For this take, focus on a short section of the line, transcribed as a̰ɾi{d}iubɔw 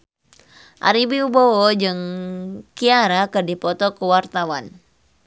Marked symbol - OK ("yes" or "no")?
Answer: no